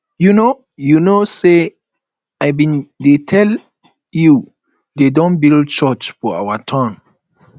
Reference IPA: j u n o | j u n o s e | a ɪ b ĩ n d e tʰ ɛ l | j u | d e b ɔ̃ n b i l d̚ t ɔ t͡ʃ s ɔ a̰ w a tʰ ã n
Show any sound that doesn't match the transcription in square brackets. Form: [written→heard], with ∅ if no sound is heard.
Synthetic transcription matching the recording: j u n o | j u n o s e | a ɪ b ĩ n d e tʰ ɛ l | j u | d e [b→d] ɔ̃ n b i l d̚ [t→t͡ʃ] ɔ t͡ʃ [s→f] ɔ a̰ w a tʰ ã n